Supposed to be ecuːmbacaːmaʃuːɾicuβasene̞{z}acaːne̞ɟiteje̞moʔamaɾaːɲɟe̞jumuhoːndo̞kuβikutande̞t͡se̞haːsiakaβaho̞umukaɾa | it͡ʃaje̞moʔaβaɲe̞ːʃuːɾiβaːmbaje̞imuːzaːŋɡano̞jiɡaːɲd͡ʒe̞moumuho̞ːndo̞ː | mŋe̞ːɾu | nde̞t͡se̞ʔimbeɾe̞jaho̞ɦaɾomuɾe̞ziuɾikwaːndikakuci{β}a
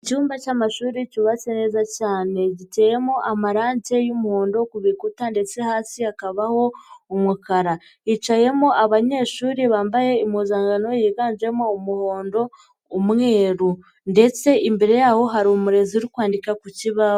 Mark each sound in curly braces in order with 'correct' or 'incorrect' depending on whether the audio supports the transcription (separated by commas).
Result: correct, correct